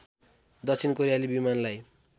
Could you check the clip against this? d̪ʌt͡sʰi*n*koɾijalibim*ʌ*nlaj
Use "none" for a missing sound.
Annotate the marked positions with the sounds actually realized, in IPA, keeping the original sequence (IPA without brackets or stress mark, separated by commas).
n, a